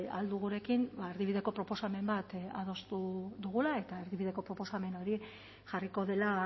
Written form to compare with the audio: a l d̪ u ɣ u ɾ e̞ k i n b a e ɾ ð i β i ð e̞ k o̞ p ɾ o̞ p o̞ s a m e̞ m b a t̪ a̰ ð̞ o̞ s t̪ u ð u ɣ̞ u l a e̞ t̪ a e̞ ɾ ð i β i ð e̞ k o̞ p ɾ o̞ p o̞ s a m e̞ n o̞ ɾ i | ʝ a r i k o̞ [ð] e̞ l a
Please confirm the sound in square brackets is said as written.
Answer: yes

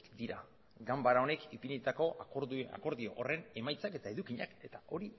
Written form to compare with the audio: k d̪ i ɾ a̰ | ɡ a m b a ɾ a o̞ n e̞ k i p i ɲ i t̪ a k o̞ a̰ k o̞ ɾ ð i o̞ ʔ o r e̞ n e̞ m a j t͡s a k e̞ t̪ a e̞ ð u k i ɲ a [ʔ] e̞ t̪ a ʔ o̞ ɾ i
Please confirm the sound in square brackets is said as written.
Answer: no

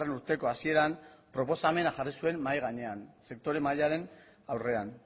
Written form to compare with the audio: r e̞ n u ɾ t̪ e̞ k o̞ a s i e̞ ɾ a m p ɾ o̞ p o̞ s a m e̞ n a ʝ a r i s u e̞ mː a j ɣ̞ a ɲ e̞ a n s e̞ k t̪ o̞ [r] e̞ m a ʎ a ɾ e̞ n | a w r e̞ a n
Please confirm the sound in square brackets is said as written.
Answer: no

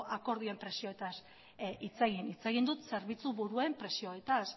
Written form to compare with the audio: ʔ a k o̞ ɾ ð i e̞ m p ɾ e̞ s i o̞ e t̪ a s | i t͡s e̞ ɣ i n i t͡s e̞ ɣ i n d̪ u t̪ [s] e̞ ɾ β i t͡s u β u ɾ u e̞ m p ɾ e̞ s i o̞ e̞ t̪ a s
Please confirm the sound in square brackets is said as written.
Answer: yes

